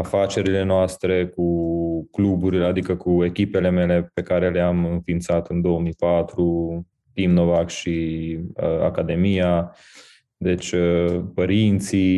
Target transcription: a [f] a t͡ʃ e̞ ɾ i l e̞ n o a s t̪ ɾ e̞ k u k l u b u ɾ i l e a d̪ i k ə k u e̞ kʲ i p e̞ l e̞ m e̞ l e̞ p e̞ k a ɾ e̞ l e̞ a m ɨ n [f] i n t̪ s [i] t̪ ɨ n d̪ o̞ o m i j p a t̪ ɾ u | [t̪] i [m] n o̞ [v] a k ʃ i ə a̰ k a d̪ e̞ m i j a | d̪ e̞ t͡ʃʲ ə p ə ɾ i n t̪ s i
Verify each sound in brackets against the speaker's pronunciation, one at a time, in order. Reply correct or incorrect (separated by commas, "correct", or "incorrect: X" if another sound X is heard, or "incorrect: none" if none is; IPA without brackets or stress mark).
correct, correct, incorrect: a, correct, correct, correct